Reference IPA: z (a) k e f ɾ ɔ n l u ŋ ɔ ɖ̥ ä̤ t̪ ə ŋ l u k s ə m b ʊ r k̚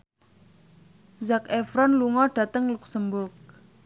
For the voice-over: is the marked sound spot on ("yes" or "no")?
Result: yes